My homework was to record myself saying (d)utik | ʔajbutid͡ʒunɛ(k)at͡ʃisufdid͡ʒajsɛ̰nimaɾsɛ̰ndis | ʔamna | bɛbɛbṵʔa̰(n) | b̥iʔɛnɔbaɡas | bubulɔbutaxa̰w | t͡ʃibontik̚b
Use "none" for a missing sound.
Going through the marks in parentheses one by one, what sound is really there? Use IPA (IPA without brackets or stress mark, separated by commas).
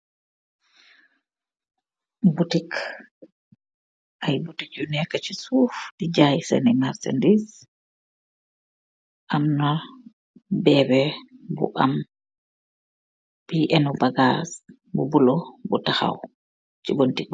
b, k, m